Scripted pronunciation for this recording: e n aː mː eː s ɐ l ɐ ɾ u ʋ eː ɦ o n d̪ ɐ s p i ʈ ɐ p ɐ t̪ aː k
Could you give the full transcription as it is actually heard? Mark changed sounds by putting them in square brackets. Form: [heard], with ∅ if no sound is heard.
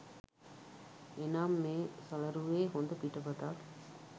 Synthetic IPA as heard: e n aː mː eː s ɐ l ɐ ɾ u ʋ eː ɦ o n d̪ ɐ [∅] p i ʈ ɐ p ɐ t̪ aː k